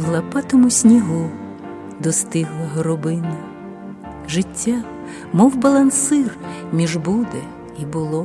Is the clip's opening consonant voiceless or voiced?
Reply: voiced